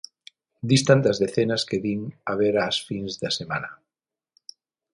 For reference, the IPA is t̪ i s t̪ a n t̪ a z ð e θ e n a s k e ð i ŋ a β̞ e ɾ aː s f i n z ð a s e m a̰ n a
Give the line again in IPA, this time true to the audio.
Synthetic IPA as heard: d̪ i s t̪ a n t̪ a z ð e θ e n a s k e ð i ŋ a β̞ e ɾ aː s f i n z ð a s e m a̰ n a